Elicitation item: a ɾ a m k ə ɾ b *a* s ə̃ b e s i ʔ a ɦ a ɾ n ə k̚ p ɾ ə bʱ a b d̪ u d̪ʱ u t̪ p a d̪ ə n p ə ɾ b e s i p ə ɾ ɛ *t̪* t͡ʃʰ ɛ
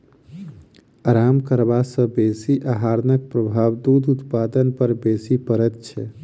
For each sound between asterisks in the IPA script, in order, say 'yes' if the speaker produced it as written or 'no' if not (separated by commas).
yes, yes